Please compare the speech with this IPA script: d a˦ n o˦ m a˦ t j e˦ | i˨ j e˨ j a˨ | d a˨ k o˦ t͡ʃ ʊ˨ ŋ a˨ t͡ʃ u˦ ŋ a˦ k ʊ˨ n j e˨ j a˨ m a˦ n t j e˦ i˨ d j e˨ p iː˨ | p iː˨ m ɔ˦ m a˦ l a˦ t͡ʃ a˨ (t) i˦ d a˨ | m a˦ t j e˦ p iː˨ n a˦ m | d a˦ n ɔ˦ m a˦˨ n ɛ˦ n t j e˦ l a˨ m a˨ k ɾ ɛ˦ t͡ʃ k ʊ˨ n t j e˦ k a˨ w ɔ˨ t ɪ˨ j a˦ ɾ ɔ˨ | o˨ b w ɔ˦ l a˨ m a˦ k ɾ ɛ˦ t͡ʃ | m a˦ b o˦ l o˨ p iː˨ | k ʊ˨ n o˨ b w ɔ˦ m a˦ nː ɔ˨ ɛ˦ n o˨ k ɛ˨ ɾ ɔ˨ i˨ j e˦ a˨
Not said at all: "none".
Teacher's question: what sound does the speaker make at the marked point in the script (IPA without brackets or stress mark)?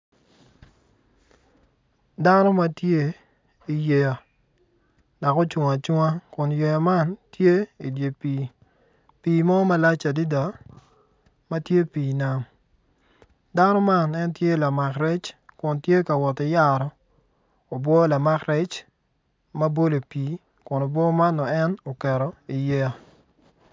d